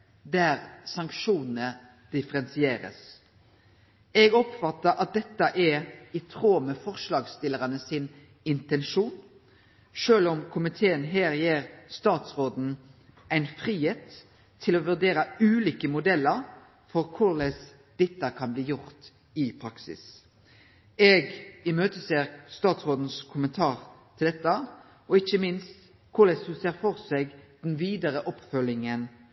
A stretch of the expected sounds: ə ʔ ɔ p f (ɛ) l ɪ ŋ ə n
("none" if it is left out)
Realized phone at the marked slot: œ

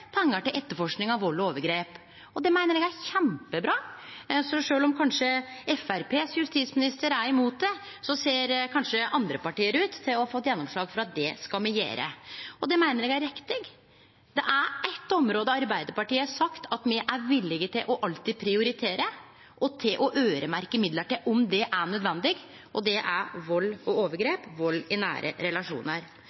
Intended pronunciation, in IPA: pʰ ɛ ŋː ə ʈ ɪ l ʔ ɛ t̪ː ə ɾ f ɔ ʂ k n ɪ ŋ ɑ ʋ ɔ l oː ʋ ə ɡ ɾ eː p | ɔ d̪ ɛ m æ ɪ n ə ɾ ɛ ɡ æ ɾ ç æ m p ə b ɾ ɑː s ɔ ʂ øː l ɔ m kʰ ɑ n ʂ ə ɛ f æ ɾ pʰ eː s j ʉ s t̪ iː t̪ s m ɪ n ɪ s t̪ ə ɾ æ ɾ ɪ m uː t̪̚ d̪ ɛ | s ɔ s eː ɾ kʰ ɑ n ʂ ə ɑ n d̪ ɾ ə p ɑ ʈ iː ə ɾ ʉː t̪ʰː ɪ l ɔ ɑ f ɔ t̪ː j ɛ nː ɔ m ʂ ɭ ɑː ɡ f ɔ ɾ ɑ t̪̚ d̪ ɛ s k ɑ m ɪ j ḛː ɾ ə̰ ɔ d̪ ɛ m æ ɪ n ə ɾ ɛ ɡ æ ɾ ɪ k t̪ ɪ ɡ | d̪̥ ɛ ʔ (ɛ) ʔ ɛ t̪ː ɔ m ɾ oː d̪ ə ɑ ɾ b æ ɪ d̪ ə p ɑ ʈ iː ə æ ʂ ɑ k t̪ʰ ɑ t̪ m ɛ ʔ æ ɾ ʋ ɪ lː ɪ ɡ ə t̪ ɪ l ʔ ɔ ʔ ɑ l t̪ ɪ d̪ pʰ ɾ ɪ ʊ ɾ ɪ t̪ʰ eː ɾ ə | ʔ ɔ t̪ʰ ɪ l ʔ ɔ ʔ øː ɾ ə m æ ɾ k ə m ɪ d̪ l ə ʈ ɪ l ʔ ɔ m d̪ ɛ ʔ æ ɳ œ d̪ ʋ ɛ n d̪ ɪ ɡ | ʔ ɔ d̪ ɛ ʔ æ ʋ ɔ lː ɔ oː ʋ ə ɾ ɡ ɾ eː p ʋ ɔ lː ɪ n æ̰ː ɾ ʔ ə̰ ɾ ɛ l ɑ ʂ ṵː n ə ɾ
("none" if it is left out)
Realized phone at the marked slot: æ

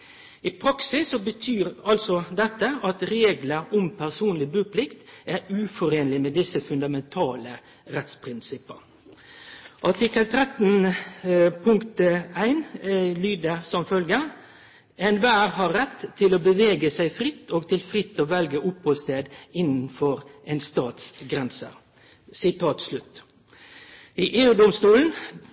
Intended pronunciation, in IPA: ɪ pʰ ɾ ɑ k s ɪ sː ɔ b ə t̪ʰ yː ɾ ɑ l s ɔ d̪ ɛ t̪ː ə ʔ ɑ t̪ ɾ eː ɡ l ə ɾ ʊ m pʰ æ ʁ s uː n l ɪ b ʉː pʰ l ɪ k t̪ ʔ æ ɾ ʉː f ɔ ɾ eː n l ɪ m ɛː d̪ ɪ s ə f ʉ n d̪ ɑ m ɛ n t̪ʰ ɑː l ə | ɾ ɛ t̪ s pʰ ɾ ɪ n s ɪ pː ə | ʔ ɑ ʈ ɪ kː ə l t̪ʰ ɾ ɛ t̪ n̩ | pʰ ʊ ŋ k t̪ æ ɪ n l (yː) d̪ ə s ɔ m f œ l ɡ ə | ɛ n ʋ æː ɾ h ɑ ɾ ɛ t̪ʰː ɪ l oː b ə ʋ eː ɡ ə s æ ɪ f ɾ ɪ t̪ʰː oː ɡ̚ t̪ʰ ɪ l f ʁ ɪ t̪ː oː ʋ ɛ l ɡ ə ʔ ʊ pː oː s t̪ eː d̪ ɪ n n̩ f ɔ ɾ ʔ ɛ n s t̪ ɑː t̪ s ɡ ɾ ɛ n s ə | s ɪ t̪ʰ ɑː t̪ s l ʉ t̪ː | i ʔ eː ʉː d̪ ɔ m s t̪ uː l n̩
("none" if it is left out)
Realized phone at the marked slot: yː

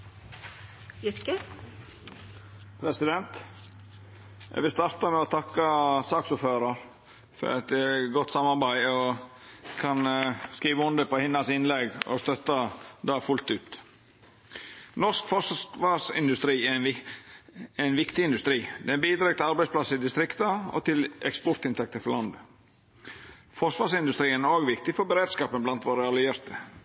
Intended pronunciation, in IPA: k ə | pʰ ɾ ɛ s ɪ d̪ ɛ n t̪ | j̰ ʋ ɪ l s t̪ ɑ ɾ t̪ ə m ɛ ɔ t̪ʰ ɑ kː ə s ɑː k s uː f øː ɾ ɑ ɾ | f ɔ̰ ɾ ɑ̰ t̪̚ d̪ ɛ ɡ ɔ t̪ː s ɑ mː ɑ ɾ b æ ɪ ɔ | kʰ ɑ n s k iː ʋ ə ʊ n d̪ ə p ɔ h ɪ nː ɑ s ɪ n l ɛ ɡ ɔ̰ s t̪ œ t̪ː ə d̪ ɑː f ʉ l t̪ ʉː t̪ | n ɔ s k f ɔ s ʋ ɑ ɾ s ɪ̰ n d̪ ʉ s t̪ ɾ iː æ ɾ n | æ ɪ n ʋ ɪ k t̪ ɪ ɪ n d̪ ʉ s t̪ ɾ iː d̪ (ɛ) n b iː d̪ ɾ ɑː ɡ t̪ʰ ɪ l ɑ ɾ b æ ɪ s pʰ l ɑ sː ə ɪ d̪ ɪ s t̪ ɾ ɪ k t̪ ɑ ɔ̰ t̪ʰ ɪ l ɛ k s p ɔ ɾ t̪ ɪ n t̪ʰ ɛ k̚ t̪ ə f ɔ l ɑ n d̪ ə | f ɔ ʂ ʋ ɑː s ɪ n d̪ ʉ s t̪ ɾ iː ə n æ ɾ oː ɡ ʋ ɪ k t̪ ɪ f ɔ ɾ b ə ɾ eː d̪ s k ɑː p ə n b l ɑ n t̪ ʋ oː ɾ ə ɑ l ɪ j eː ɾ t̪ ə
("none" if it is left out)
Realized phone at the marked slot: ɛ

